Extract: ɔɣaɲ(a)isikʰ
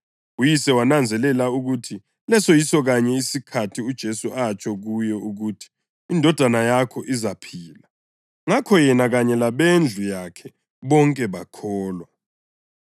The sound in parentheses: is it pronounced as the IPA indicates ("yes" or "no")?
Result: no